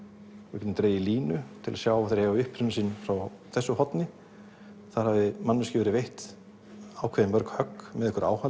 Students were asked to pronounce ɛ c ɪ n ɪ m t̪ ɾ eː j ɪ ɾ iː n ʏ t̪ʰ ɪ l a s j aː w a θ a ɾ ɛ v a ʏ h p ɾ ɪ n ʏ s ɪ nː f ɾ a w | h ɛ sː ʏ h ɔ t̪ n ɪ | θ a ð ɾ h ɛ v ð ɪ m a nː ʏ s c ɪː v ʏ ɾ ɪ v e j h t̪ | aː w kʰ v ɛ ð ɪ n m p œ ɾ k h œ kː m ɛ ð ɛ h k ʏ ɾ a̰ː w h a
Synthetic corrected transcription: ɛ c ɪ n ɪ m t̪ ɾ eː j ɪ l iː n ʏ t̪ʰ ɪ l a s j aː w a θ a ɾ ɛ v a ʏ h p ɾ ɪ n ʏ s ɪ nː f ɾ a w | θ ɛ sː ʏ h ɔ t̪ n ɪ | θ a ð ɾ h a v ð ɪ m a nː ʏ s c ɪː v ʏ ɾ ɪ v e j h t̪ | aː w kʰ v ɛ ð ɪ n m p œ ɾ k h œ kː m ɛ ð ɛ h k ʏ ɾ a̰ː w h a